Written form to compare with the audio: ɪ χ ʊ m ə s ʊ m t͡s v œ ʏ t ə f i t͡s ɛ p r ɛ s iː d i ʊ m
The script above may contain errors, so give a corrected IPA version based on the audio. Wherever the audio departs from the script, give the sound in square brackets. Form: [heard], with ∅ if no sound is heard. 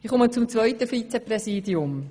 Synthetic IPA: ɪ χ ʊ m ə [t͡s] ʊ m t͡s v œ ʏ t ə f i t͡s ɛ p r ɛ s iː d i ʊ m

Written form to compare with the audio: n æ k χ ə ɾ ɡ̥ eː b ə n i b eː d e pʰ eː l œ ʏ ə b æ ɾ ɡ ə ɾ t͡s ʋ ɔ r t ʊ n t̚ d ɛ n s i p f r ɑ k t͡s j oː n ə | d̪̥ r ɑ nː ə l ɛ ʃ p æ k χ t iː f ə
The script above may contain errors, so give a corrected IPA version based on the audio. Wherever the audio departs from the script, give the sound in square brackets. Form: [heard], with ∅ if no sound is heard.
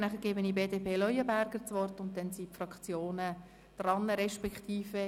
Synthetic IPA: n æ [∅] χ ə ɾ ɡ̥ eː b ə n i b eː d e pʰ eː l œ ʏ ə b æ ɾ ɡ ə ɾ t͡s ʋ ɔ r t ʊ n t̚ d ɛ n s i p f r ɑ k t͡s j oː n ə | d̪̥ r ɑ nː ə [ɾ] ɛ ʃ p [ɛ] k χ t iː f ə

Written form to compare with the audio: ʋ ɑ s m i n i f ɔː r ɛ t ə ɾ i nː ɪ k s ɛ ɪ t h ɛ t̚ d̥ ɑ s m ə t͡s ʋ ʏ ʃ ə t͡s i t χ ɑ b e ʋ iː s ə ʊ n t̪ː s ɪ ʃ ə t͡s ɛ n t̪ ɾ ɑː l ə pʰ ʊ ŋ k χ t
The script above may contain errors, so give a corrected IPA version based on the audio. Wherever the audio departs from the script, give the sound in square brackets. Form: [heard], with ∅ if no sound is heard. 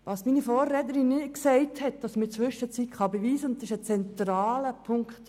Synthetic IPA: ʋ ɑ s m i n i f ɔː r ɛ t ə ɾ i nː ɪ k s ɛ ɪ t h ɛ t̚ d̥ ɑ s m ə t͡s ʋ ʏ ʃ ə t͡s i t χ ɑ b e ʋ iː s ə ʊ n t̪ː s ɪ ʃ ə t͡s ɛ n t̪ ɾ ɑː l ə pʰ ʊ ŋ k χ t

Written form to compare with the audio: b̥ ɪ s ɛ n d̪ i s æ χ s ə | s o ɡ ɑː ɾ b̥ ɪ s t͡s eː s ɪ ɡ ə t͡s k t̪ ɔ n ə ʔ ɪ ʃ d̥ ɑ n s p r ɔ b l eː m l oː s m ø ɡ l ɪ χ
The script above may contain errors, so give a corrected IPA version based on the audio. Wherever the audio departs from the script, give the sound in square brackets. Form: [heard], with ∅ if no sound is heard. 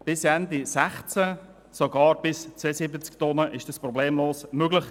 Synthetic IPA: b̥ ɪ s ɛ n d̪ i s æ χ [t͡s] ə | s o ɡ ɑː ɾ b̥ ɪ s t͡s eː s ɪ [b] ə t͡s k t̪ ɔ n ə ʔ ɪ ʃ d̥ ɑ [∅] s p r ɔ b l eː m l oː s m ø ɡ l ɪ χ

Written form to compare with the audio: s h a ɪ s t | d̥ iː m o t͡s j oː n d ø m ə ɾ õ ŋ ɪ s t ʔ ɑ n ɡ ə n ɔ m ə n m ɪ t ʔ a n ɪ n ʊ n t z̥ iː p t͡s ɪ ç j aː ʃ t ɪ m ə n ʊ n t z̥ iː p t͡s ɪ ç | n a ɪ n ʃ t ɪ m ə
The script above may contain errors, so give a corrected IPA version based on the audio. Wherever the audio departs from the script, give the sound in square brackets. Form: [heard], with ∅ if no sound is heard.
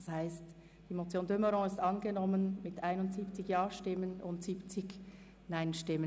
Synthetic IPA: s h a ɪ s t | d̥ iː m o t͡s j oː n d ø m ə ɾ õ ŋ ɪ s t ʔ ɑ n ɡ ə n ɔ m ə n m ɪ t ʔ a [∅] ɪ n ʊ n t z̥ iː p t͡s ɪ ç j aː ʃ t ɪ m ə n ʊ n t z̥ iː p t͡s ɪ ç | n a ɪ n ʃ t ɪ m ə

